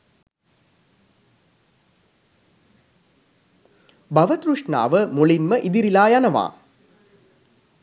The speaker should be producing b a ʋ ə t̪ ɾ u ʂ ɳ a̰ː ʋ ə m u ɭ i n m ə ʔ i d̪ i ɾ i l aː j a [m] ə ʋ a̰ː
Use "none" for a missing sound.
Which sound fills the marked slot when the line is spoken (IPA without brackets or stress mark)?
n